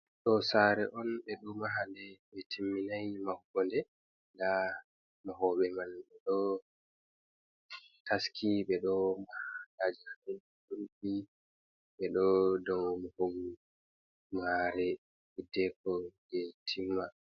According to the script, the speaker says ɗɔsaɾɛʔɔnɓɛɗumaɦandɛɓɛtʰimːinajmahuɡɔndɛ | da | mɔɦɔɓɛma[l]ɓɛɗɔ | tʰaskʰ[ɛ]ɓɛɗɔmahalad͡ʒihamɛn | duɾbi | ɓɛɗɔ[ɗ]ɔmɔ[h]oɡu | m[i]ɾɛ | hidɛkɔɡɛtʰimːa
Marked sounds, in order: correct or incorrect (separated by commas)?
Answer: correct, incorrect, incorrect, correct, incorrect